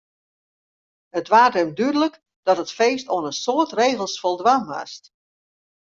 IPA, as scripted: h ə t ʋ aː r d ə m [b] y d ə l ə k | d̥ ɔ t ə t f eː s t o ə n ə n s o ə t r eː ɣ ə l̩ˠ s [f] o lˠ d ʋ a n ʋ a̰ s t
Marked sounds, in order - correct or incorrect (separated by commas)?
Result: incorrect, correct